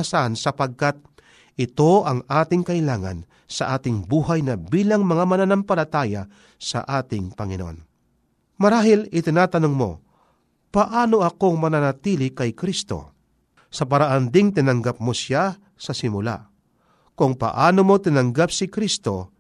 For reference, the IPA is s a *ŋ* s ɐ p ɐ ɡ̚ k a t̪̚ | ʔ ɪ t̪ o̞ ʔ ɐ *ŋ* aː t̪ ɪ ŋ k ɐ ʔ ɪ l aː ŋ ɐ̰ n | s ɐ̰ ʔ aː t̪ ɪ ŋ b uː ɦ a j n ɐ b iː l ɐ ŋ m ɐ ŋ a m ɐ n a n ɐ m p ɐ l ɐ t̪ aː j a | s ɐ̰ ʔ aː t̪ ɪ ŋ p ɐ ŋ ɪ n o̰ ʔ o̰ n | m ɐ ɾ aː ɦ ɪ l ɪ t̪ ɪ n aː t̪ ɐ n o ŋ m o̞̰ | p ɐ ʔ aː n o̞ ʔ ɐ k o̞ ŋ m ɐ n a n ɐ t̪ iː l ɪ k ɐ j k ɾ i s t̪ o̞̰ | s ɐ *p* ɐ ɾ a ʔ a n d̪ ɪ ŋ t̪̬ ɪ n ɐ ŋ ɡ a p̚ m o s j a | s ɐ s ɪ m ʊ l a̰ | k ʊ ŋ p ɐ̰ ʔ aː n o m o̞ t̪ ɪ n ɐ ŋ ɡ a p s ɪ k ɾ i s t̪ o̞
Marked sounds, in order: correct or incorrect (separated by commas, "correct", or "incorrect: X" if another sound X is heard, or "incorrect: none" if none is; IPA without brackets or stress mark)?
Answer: incorrect: n, correct, correct